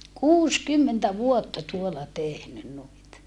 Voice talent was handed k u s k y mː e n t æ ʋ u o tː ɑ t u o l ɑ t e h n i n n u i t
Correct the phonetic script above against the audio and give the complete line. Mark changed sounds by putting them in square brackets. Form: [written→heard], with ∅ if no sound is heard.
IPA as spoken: k [u→uː] s k y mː e n t æ ʋ u o tː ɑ t u o l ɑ t e h n [i→y] n n u i t